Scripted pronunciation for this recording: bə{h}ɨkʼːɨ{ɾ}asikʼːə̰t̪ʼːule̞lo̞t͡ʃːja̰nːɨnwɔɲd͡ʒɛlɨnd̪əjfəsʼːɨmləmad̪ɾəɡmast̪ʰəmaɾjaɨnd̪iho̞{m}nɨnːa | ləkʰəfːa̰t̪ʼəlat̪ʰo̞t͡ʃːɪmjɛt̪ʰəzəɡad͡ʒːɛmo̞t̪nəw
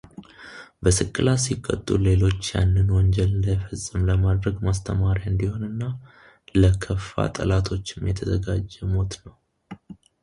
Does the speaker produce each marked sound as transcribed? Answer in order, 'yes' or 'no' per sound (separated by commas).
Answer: no, no, no